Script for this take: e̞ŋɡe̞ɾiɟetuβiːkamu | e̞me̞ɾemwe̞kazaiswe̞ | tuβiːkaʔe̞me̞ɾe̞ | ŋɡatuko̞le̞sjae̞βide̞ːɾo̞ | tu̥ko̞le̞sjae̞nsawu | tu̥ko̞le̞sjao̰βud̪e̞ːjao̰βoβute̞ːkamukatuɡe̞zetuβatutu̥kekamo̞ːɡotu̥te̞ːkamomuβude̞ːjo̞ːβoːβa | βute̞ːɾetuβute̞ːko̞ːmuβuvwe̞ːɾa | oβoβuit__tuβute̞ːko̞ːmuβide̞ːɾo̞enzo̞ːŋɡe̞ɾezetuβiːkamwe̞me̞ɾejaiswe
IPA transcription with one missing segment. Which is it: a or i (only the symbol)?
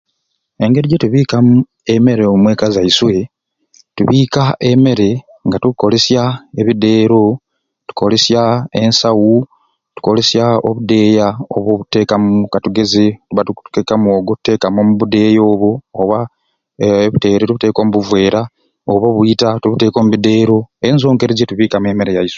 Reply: a